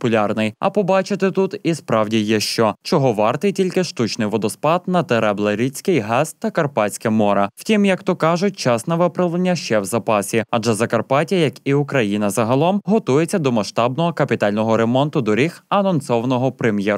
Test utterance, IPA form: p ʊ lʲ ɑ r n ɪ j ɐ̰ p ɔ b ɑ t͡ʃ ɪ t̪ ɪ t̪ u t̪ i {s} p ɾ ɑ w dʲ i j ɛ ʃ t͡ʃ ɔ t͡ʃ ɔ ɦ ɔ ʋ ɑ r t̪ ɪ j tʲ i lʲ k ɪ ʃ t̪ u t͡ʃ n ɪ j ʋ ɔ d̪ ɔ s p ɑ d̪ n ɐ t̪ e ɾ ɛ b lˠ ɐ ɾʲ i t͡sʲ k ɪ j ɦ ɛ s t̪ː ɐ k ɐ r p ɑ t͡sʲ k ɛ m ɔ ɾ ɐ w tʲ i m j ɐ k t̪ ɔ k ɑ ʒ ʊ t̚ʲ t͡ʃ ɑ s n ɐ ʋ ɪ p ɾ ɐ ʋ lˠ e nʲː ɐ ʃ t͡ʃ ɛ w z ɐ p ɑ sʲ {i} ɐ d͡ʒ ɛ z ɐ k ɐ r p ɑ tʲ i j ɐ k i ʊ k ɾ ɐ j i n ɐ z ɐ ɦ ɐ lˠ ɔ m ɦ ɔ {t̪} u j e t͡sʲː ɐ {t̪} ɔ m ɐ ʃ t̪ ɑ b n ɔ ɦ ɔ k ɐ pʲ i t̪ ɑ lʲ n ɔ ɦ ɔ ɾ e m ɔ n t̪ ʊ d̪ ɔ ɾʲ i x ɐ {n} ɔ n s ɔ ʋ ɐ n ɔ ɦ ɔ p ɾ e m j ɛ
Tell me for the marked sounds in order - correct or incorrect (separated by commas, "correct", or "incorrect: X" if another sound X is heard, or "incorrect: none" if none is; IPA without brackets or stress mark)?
correct, correct, correct, incorrect: d̪, correct